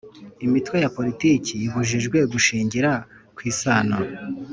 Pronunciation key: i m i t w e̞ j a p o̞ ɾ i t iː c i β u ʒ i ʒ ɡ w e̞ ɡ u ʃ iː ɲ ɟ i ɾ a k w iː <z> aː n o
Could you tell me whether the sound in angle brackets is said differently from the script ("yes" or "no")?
yes